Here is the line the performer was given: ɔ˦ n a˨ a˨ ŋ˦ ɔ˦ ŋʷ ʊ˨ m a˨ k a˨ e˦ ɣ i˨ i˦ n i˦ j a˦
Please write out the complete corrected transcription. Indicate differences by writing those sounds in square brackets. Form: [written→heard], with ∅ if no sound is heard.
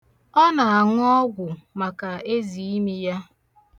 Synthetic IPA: ɔ˦ n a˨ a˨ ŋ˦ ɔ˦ [ŋʷ→ɡʷ] ʊ˨ m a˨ k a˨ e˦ [ɣ→z] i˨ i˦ [n→m] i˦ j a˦